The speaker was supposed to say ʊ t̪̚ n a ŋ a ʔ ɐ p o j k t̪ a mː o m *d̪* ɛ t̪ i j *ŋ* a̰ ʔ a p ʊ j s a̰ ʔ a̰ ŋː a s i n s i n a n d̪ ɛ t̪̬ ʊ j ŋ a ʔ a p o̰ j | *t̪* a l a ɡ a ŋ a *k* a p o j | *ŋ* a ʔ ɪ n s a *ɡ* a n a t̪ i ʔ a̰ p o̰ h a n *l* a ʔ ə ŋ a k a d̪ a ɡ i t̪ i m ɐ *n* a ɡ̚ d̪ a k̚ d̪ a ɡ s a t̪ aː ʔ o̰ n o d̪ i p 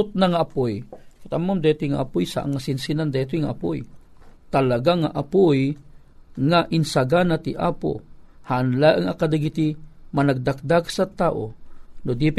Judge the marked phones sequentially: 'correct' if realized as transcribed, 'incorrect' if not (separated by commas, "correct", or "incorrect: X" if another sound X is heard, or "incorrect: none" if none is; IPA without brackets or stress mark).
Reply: correct, correct, correct, incorrect: ʔ, correct, correct, correct, correct